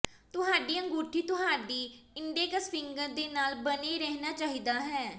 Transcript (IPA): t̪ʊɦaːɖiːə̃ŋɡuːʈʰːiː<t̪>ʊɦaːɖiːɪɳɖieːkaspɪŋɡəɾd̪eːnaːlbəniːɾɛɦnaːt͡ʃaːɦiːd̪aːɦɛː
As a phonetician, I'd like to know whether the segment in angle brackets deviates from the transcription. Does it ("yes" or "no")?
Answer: no